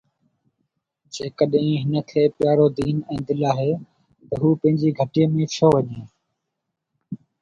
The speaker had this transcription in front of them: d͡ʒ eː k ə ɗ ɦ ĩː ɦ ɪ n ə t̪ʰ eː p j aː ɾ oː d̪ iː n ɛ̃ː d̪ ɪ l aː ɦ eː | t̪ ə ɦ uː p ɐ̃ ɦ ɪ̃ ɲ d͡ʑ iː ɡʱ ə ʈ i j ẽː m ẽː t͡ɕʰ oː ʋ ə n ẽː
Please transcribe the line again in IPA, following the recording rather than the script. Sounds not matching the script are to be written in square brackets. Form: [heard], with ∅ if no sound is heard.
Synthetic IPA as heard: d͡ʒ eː k ə ɗ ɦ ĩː ɦ ɪ n ə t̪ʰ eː p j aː ɾ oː d̪ iː n ɛ̃ː d̪ ɪ l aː ɦ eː | t̪ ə ɦ uː p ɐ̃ ɦ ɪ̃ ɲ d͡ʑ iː ɡʱ ə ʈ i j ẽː m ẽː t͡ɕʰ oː ʋ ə [ɲ] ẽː

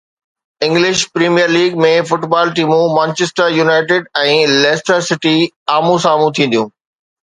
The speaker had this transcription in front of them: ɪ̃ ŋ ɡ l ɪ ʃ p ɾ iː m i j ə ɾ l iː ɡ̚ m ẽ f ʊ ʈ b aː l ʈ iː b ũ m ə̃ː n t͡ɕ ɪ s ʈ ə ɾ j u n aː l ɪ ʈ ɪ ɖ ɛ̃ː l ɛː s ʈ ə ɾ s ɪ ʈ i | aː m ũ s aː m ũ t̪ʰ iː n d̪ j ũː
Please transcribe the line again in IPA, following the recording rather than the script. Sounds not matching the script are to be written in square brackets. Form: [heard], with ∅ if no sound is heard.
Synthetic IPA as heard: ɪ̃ ŋ ɡ l ɪ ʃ p ɾ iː m i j ə ɾ l iː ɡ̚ m ẽ f ʊ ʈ b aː l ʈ iː [m] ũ m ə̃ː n t͡ɕ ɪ s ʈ ə ɾ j u n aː [∅] ɪ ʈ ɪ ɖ ɛ̃ː l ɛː s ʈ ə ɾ s ɪ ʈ i | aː m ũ s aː m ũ t̪ʰ [ĩː] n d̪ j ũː

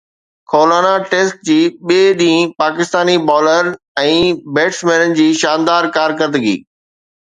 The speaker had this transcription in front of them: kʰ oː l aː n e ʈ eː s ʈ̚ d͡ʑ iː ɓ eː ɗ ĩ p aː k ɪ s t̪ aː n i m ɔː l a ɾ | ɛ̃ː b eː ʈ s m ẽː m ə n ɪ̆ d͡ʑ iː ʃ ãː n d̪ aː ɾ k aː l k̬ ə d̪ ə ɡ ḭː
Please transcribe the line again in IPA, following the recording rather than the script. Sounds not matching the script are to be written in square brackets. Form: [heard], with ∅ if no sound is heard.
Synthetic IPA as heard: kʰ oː l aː n [a] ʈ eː s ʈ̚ d͡ʑ iː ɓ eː ɗ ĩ p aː k ɪ s t̪ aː n i [b] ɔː l [ə] ɾ | ɛ̃ː b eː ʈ s m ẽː [n] ə n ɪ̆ d͡ʑ iː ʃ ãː n d̪ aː ɾ k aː [ɾ] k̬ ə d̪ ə ɡ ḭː

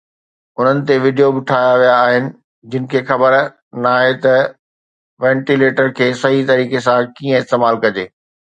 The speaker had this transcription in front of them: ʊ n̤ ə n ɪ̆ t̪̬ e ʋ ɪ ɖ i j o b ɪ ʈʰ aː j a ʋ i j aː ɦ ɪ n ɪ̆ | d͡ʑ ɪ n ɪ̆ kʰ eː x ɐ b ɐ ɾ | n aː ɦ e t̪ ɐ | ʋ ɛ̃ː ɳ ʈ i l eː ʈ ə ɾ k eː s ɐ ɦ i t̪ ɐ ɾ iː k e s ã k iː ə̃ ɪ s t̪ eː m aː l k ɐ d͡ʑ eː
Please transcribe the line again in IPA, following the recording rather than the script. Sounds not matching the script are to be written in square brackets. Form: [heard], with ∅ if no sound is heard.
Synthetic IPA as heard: ʊ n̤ ə n ɪ̆ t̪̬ e ʋ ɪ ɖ i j o b ɪ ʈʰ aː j a ʋ i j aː ɦ ɪ n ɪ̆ | d͡ʑ ɪ n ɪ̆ kʰ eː x ɐ b [ə] ɾ | n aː ɦ e t̪ ɐ | ʋ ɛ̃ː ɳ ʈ i l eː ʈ ə ɾ [kʰ] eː s ɐ ɦ i t̪ ɐ ɾ iː k e s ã k iː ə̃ ɪ s t̪ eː m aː l k ɐ d͡ʑ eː

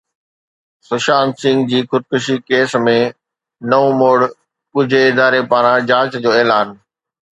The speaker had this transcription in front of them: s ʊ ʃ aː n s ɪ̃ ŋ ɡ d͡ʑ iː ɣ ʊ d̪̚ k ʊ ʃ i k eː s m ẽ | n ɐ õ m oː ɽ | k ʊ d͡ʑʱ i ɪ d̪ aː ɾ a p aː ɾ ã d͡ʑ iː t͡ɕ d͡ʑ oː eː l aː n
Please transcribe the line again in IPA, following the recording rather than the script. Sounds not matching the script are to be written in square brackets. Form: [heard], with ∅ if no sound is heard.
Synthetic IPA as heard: s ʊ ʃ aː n s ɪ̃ ŋ ɡ d͡ʑ iː [x] ʊ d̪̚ k ʊ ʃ i k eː s m ẽ | n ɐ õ m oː ɽ | k ʊ d͡ʑʱ [e] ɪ d̪ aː ɾ [e] p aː ɾ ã d͡ʑ [aː] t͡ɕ d͡ʑ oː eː l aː n

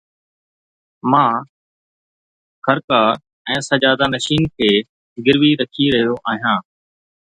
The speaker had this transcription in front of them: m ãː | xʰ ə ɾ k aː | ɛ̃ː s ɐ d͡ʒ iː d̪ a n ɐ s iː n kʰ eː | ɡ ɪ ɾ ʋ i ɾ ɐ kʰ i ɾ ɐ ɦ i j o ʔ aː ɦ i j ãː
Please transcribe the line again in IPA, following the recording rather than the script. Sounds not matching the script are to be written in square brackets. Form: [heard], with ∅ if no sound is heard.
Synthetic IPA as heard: m ãː | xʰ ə ɾ k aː | ɛ̃ː s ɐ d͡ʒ [aː] d̪ a n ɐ [ʃ] iː n kʰ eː | ɡ ɪ ɾ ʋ i ɾ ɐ kʰ i ɾ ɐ ɦ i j o ʔ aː ɦ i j ãː

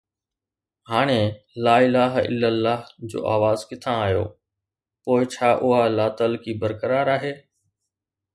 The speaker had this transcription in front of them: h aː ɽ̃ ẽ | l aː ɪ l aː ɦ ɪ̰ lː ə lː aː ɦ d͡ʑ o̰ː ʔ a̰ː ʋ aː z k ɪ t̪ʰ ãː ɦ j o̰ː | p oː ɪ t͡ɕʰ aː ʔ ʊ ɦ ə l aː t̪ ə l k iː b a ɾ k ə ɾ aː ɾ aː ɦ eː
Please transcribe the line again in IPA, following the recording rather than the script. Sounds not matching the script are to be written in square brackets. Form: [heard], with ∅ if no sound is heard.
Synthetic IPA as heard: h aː ɽ̃ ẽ | l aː ɪ l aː ɦ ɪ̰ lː ə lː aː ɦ d͡ʑ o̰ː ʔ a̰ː ʋ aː z k ɪ t̪ʰ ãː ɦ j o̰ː | p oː ɪ t͡ɕʰ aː ʔ ʊ ɦ [a] l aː t̪ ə l k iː b [ə] ɾ k ə ɾ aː ɾ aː ɦ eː

